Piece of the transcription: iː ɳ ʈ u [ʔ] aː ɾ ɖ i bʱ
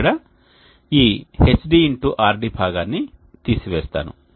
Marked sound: correct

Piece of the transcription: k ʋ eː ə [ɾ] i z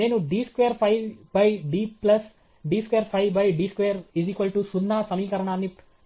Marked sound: correct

